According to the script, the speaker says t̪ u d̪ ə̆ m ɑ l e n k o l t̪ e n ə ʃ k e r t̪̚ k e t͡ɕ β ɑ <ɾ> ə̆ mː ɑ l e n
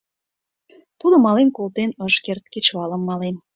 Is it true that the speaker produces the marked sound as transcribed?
no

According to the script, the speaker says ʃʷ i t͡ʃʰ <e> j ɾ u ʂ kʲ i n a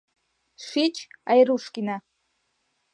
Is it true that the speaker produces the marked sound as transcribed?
no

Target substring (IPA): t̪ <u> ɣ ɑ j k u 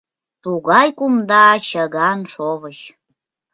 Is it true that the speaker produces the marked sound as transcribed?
yes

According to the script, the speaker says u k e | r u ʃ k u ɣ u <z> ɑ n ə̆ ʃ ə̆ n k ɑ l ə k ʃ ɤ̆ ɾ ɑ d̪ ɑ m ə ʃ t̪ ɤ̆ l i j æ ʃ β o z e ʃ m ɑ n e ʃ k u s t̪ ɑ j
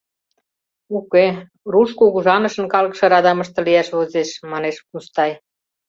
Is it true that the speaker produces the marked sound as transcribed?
no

